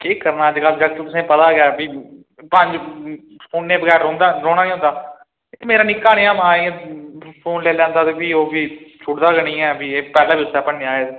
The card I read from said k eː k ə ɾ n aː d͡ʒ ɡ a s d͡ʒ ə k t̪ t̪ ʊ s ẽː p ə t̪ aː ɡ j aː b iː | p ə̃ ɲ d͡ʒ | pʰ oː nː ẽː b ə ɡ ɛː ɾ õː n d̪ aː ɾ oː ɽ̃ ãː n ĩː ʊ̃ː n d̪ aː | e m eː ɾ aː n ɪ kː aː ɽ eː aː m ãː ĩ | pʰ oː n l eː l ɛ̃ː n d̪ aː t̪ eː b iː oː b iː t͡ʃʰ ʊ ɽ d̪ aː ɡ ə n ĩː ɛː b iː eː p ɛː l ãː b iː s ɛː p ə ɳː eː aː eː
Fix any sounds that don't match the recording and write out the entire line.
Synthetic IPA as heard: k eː k ə ɾ n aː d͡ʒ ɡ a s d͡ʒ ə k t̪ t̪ ʊ s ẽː p ə t̪ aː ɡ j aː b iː | p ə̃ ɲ d͡ʒ | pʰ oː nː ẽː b ə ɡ ɛː ɾ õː n d̪ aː ɾ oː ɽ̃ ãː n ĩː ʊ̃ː n d̪ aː | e m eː ɾ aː n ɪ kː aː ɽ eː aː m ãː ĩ | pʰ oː n l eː l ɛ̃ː n d̪ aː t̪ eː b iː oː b iː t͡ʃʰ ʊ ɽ d̪ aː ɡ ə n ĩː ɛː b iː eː p ɛː l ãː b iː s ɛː p ə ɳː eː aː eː